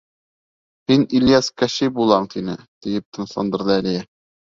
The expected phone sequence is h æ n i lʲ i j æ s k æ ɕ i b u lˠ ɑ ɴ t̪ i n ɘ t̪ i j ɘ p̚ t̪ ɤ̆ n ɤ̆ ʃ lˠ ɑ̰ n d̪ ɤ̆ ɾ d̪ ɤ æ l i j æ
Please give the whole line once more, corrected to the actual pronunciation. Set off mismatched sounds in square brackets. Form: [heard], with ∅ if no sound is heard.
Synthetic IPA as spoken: h [i] n i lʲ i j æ s k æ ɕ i b u lˠ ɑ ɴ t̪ i n ɘ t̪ i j ɘ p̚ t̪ ɤ̆ n ɤ̆ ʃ lˠ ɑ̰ n d̪ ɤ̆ ɾ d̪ ɤ æ l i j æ